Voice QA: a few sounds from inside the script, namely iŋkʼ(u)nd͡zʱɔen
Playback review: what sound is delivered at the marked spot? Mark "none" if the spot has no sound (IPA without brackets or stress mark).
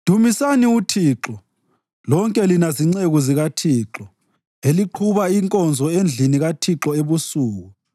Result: ɔ